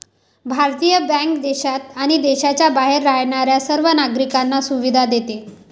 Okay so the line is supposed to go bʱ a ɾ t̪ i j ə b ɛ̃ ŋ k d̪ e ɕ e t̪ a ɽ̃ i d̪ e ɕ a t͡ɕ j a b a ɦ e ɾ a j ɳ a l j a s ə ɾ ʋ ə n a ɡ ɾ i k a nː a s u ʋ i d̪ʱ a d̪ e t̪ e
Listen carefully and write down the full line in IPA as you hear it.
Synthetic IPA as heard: bʱ a ɾ t̪ i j ə b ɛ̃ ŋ k d̪ e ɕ a t̪ a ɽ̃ i d̪ e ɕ a t͡ɕ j a b a ɦ e ɾː a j ɳ a ɾ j a s ə ɾ ʋ ə n a ɡ ɾ i k a nː a s u ʋ i d̪ʱ a d̪ e t̪ e